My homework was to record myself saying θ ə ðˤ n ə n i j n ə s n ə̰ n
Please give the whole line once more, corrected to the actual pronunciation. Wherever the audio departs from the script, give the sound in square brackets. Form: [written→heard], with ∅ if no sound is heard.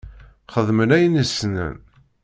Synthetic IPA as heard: [θ→χ] ə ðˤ [n→m] ə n [i→æ] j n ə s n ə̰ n